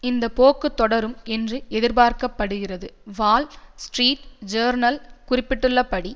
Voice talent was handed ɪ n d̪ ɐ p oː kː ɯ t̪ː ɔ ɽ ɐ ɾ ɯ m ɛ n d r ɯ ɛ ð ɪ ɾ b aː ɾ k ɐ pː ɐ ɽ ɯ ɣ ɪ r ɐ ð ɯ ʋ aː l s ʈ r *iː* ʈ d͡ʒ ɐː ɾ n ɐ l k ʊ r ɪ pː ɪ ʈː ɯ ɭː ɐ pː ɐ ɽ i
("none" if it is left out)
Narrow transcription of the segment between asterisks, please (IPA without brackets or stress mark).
iː